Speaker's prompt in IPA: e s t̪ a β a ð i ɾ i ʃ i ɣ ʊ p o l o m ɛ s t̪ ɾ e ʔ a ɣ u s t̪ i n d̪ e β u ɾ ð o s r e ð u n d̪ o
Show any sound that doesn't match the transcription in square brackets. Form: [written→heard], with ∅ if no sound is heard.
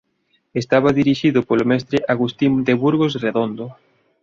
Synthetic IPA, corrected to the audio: e s t̪ a β a ð i ɾ i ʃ i [ɣ→ð] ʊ p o l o m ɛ s t̪ ɾ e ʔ a ɣ u s t̪ i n d̪ e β u ɾ [ð→ɣ] o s r e ð [u→o] n d̪ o